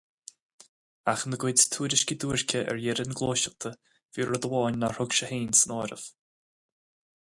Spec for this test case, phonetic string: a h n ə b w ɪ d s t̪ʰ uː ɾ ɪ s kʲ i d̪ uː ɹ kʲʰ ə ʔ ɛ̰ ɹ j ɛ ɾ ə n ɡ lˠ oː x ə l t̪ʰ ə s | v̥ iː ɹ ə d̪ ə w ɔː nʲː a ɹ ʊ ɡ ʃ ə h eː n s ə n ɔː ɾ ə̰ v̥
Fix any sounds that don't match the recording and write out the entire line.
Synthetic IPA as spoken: a x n ə ɡ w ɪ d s t̪ʰ uː ɾ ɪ ʃ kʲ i d̪ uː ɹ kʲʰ ə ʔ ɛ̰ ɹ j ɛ ɾ ə n ɡ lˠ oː ʃ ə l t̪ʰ ə | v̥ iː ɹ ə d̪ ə w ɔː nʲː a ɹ ʊ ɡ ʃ ə h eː n s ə n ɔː ɾ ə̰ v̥